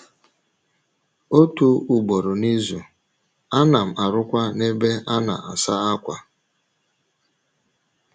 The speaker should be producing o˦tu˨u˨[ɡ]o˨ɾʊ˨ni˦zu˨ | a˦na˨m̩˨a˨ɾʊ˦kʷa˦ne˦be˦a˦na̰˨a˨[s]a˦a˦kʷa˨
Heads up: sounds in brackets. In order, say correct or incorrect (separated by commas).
incorrect, correct